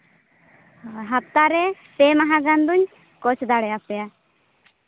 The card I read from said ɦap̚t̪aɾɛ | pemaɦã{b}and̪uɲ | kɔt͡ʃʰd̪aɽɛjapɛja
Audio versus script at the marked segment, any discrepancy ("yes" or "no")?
yes